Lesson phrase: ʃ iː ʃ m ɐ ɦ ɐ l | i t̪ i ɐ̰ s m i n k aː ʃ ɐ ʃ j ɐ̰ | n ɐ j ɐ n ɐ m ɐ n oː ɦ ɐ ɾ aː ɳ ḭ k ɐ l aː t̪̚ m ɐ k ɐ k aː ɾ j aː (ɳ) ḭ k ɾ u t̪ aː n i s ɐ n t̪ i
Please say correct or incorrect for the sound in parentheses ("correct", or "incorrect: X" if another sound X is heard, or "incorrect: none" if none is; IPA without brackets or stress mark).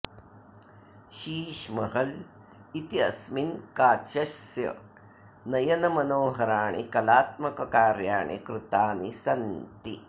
correct